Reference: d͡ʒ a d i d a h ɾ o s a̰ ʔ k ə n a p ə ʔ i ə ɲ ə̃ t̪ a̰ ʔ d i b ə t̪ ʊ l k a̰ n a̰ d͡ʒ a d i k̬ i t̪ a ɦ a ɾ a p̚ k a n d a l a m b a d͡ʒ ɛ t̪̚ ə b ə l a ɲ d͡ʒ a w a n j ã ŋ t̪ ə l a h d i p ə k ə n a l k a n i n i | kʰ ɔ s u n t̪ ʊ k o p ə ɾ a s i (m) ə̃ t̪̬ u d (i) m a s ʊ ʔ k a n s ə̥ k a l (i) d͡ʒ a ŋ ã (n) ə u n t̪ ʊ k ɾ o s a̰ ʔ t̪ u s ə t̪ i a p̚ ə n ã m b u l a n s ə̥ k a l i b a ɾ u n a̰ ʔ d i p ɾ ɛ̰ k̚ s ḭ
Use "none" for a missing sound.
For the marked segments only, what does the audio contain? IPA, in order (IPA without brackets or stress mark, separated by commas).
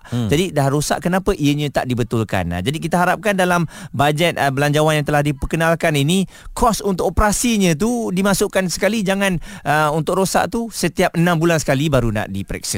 ɲ, i, i, n